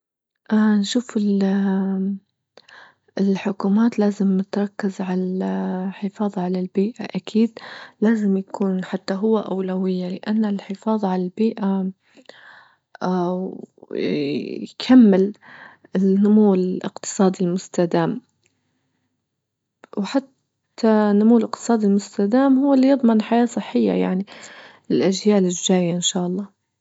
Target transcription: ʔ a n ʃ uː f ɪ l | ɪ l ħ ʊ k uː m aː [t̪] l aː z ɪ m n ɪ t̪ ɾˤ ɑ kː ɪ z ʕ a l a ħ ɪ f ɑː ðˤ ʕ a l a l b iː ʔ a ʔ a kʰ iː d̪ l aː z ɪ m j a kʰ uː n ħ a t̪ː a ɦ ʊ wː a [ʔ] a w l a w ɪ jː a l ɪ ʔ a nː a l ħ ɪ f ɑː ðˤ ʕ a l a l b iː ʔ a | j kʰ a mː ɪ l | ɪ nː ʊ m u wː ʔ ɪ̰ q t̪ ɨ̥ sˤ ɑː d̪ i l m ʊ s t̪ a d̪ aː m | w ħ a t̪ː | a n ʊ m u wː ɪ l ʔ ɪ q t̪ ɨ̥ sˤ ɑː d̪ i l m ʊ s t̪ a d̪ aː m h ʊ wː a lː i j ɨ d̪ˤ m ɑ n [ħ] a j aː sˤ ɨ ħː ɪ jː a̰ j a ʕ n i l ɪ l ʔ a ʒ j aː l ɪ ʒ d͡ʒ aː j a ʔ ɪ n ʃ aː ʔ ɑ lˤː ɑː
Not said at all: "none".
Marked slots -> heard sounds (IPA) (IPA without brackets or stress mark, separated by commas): t̪, ʔ, ħ